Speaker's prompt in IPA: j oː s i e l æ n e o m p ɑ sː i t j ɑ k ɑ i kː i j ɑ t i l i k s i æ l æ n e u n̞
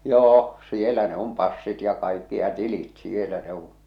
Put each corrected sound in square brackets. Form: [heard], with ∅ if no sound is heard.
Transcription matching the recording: j oː s i e l æ n e o m p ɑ sː i t j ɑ k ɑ i kː i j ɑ t i l i [t] s i [e] l æ n e u n̞